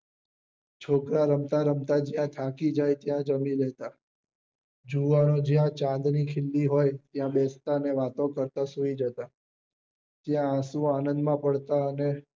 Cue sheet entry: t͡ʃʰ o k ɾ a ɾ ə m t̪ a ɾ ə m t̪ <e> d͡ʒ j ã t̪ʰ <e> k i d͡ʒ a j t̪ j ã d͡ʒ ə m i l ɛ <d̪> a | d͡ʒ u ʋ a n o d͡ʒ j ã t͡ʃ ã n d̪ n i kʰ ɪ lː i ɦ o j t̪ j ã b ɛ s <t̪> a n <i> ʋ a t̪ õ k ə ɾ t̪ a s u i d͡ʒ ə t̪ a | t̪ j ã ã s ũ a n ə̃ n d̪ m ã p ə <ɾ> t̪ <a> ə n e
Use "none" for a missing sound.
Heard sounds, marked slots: a, a, t̪, t̪, e, ɽ, a

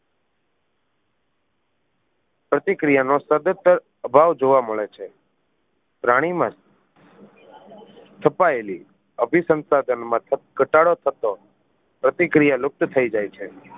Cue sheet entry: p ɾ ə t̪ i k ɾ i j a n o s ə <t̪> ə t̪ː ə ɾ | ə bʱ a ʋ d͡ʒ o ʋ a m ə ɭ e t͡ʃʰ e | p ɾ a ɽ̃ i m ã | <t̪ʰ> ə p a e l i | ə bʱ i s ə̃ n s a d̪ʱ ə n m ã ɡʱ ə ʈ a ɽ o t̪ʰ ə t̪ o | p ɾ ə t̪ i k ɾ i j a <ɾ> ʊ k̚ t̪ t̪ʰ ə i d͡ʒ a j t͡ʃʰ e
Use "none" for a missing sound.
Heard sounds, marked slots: d̪, t̪ʰ, l

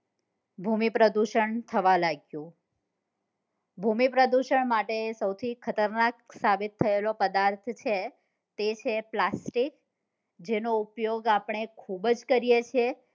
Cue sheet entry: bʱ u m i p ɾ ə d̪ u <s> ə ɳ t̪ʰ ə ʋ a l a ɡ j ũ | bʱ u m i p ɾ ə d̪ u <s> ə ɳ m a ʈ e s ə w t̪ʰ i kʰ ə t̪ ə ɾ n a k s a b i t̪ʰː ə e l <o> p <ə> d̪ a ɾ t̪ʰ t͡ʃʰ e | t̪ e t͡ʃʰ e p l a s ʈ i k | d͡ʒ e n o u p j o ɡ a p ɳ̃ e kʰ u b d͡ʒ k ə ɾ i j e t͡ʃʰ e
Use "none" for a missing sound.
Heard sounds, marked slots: ʃ, ʃ, o, ə

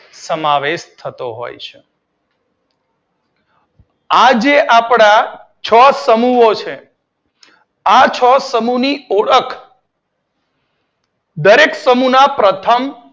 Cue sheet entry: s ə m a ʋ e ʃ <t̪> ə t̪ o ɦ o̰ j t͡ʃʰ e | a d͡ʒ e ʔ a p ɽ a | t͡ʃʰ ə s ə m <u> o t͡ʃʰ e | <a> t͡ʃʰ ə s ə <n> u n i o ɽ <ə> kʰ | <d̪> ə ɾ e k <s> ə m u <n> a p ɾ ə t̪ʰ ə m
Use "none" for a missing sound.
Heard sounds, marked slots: t̪ʰ, u, a, m, ə, d̪, s, n

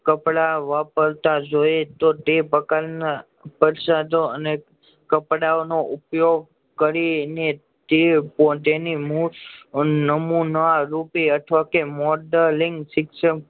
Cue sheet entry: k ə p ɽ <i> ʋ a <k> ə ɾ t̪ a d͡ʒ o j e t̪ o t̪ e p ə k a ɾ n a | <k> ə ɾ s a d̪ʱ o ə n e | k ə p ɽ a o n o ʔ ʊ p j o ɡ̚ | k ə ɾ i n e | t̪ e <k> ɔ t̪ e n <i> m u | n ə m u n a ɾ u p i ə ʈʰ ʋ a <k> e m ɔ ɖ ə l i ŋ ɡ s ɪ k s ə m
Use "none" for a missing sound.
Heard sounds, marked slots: a, p, p, p, i, k

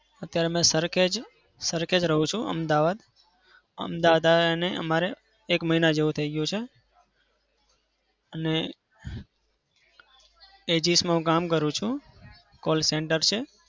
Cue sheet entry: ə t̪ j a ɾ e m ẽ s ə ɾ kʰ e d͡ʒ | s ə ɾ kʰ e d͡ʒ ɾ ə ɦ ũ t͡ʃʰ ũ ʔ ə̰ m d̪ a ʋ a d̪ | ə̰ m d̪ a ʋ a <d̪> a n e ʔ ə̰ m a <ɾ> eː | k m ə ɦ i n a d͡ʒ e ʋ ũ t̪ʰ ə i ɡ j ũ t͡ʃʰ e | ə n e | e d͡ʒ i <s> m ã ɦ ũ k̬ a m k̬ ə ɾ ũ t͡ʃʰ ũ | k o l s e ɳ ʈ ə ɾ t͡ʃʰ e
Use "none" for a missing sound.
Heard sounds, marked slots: d̪, ɾ, s

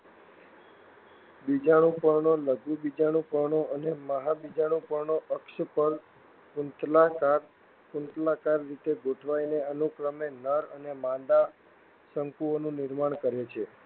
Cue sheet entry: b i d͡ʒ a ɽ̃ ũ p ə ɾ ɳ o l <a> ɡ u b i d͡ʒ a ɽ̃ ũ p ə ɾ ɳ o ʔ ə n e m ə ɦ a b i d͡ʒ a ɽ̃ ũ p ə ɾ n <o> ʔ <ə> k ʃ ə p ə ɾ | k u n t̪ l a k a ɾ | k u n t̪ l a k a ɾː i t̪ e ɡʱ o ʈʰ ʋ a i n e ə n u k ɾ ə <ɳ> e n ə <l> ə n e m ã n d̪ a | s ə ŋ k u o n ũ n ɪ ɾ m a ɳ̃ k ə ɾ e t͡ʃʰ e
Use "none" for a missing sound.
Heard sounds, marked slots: ə, o, ə, m, ɾ

